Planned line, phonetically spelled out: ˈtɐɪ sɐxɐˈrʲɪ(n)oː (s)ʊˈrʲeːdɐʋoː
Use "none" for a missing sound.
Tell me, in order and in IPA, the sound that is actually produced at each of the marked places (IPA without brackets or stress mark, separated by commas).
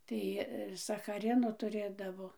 n, t